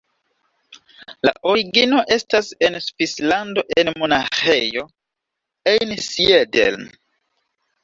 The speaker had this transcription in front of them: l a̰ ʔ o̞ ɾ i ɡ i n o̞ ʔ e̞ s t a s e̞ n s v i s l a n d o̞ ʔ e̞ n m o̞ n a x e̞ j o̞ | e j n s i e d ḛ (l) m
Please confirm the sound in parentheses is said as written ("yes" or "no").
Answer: yes